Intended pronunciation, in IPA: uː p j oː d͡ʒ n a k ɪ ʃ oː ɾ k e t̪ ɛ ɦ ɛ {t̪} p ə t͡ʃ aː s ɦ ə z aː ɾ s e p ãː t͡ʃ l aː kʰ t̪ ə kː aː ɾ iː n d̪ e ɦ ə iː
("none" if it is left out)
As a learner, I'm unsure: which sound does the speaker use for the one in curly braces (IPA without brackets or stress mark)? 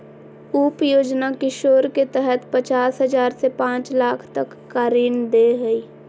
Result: t̪